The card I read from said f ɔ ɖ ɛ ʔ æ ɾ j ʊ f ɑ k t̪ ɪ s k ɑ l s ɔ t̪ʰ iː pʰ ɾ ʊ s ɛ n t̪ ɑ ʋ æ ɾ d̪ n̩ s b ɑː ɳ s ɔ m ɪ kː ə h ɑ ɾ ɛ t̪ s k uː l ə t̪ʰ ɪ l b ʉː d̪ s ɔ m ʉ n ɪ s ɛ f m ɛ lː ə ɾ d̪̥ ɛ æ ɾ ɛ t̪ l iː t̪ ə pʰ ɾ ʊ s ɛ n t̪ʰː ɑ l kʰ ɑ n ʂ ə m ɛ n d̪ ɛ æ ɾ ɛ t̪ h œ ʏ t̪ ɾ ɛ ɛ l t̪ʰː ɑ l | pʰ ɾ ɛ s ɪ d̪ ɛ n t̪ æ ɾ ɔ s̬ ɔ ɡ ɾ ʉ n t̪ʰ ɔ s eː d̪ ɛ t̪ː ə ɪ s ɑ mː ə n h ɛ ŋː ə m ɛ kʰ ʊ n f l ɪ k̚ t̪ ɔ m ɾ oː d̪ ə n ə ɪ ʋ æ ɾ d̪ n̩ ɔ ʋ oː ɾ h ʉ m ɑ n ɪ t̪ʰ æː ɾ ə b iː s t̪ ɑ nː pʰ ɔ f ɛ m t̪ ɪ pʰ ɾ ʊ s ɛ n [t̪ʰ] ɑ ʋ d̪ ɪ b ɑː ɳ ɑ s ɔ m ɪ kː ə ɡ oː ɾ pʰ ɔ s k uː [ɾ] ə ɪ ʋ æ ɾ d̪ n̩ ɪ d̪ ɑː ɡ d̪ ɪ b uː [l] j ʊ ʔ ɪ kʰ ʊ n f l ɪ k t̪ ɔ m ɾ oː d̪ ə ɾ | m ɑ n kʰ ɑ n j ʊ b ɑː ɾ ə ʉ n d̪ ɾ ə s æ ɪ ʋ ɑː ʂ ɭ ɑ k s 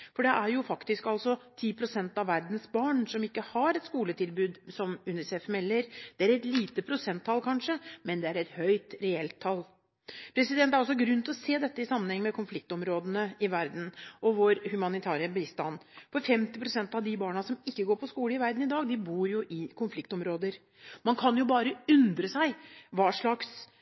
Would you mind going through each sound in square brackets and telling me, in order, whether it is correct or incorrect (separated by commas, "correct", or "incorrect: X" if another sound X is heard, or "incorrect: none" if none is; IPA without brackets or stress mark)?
incorrect: t̪, incorrect: l, incorrect: ɾ